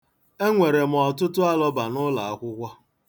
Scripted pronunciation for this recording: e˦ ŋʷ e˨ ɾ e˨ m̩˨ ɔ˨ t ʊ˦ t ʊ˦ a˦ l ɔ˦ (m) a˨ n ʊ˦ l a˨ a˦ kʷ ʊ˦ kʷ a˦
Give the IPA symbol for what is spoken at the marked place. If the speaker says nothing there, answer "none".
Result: b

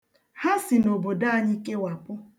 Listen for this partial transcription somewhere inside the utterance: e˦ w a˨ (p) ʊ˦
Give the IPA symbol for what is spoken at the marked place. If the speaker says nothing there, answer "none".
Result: p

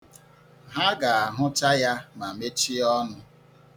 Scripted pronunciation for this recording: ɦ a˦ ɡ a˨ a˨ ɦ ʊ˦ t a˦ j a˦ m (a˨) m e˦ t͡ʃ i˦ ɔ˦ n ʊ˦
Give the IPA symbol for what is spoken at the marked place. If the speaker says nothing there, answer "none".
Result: a˨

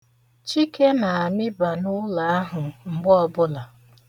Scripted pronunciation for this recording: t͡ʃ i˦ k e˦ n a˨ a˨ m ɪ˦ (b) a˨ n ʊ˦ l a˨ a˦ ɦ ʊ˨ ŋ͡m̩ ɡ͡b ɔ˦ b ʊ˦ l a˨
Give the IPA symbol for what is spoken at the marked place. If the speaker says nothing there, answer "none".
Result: b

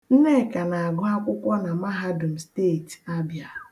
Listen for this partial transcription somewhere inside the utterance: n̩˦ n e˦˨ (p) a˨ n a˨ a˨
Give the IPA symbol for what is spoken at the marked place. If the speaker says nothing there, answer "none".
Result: k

